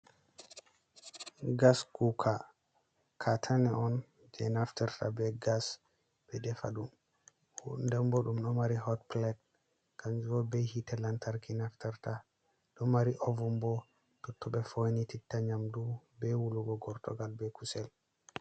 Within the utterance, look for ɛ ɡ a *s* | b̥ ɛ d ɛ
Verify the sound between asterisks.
correct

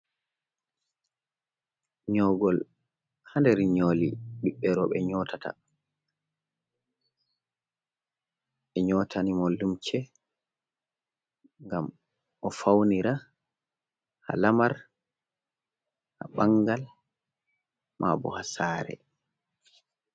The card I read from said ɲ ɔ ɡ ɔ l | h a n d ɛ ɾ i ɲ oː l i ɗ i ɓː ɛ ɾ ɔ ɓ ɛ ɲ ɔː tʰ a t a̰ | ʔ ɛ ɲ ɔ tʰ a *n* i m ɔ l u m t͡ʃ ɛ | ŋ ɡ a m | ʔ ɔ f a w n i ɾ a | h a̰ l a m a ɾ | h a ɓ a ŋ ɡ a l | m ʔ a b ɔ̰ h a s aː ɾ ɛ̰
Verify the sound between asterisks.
correct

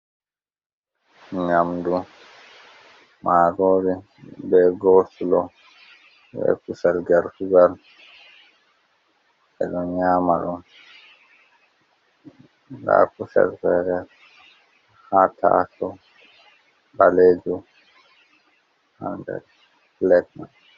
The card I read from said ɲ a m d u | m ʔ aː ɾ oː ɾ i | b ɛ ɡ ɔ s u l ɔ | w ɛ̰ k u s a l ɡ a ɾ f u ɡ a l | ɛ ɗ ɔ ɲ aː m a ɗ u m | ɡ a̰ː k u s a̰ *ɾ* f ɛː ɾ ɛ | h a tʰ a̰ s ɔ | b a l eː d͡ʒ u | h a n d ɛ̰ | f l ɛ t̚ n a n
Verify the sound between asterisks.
incorrect: l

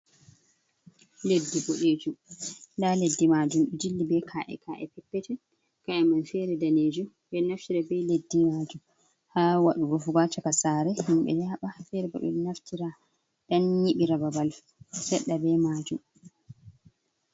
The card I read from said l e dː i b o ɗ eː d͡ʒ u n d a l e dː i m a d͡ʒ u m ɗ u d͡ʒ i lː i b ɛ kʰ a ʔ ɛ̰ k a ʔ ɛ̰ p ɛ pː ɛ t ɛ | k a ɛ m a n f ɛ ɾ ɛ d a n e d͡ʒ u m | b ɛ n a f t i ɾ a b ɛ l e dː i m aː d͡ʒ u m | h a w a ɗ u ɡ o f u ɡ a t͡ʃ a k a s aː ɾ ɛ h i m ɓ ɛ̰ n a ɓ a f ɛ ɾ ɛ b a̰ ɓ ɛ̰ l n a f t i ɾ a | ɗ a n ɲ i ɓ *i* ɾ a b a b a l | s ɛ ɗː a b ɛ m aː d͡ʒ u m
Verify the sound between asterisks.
correct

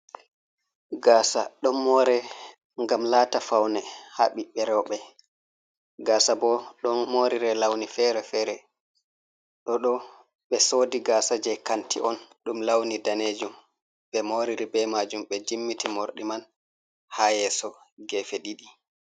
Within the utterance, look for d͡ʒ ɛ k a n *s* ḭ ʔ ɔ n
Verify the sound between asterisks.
incorrect: t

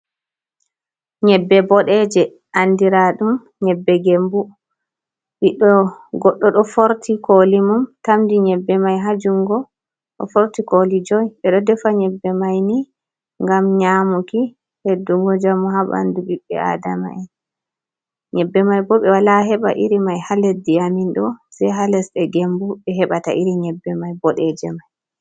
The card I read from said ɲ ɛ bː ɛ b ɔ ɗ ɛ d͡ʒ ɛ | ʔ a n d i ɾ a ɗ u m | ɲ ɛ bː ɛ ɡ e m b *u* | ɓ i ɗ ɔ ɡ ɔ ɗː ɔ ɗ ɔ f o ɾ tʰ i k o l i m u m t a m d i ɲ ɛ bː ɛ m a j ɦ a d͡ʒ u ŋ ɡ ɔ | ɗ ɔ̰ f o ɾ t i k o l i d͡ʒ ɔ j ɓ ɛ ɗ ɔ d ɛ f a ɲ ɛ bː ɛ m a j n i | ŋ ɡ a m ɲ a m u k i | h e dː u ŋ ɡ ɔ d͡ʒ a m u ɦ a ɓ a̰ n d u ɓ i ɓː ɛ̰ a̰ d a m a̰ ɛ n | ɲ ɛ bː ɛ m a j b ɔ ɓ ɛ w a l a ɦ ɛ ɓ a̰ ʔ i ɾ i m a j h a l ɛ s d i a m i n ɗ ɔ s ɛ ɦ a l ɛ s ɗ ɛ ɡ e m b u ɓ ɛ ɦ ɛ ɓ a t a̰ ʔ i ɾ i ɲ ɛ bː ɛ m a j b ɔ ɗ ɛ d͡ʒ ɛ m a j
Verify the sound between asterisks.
correct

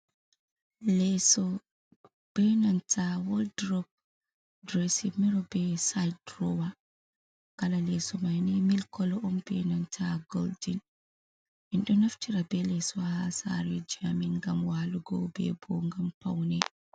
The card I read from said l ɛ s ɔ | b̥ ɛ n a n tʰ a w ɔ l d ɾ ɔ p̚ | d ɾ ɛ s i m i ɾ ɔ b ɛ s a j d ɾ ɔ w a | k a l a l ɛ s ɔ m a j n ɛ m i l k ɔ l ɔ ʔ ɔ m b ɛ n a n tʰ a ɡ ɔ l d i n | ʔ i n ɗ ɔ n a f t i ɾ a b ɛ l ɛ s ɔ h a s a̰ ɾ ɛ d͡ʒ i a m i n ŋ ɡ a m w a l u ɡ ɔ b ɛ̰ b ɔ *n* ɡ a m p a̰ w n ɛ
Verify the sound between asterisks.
incorrect: ŋ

